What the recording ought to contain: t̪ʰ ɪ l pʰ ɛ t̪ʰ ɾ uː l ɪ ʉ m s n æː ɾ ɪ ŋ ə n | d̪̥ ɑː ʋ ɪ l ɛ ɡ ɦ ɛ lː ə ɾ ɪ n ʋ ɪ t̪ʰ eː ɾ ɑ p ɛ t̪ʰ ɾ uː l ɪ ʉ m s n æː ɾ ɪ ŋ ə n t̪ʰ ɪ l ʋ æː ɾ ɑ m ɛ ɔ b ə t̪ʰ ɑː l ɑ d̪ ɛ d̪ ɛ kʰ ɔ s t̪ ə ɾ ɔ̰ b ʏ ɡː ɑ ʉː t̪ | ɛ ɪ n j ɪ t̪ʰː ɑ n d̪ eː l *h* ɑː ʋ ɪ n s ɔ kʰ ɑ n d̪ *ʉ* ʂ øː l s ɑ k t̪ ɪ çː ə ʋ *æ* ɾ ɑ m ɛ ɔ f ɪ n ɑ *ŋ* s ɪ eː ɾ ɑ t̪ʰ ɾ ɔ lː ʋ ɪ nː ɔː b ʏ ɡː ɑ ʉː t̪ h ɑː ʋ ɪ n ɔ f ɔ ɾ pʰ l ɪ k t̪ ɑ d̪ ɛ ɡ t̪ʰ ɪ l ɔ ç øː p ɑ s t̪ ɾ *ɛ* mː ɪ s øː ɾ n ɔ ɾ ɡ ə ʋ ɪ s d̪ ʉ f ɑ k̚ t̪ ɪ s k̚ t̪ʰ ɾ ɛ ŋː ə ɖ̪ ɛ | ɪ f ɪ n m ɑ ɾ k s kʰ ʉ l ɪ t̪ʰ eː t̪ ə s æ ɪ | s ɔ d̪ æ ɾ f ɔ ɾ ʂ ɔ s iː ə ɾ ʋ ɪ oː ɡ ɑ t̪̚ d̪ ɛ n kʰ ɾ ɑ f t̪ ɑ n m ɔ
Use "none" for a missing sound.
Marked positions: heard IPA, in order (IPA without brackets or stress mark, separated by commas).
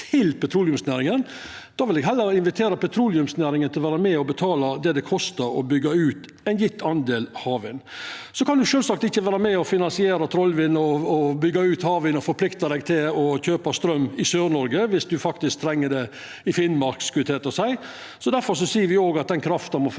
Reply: h, ʉ, æː, n, œ